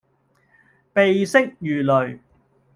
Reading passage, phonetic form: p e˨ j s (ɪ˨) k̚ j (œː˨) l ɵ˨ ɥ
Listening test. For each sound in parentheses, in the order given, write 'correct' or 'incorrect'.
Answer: incorrect: ɪ˥, incorrect: yː˨

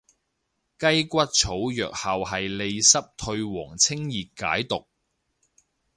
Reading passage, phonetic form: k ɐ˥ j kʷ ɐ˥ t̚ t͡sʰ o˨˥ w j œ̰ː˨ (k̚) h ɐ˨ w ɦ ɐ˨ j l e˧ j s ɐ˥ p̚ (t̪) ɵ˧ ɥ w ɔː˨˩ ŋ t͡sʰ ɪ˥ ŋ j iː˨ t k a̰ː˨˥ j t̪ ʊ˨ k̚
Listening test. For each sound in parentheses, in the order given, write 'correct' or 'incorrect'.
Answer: correct, incorrect: t̪ʰ

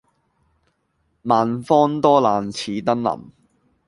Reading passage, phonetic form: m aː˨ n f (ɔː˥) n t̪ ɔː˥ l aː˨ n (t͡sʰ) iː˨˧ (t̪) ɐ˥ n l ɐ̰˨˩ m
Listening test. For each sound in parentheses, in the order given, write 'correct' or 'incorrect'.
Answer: correct, correct, correct

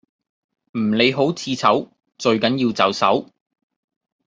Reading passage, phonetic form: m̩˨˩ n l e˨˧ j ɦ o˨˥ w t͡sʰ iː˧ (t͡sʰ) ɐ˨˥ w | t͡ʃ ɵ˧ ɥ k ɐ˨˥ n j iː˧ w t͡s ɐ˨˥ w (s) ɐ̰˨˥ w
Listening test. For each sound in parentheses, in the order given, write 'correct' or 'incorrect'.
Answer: correct, correct

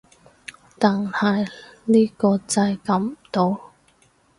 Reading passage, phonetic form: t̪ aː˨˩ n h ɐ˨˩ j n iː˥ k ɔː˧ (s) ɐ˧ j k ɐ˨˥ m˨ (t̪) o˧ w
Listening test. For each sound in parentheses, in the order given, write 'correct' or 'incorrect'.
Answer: incorrect: t͡s, correct

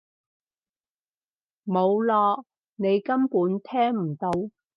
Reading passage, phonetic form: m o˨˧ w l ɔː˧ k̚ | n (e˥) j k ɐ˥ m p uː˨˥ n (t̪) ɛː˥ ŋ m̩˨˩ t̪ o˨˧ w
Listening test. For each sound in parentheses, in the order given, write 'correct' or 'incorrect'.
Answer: incorrect: e˨˧, incorrect: t̪ʰ

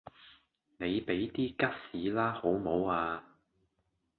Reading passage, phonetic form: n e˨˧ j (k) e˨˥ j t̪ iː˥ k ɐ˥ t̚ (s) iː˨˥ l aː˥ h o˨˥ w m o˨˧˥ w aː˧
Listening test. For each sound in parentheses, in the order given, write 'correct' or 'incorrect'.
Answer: incorrect: p, correct

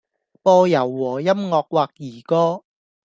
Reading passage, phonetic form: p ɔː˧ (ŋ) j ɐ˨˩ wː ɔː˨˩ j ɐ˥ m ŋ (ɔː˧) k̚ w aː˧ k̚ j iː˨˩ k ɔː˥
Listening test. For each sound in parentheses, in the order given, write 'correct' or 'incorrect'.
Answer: incorrect: none, correct

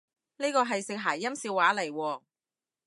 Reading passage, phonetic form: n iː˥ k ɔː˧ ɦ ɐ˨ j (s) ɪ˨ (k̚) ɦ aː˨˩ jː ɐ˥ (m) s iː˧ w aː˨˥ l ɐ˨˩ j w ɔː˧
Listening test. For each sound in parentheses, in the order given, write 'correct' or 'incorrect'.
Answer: correct, correct, correct

